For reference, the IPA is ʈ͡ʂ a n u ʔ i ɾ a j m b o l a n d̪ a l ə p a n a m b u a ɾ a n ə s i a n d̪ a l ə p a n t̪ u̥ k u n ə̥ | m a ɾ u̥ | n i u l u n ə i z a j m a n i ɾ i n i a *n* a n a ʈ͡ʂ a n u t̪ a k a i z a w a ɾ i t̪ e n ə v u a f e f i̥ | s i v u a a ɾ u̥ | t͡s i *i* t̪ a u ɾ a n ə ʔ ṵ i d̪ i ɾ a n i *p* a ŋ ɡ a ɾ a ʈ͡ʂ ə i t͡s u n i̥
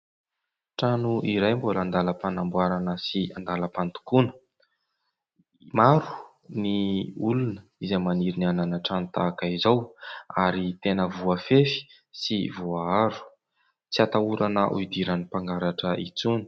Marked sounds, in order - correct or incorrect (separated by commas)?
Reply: correct, incorrect, correct